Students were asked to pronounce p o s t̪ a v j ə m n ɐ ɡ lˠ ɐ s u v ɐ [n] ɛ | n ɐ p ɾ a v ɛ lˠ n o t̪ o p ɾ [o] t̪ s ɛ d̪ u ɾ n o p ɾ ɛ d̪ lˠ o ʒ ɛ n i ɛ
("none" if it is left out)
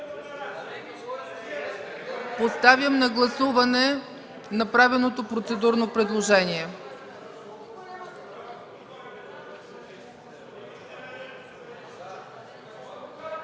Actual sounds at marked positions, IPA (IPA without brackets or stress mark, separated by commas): n, o